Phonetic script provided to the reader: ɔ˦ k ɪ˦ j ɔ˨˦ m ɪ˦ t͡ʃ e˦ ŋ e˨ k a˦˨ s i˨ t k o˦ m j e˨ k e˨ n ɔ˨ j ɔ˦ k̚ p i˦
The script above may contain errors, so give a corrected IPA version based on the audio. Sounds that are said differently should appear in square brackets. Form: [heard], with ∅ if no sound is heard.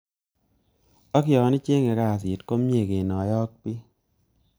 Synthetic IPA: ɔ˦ k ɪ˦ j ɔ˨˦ [n] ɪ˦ t͡ʃ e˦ ŋ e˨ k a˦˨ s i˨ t k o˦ m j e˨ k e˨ n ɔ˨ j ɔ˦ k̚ p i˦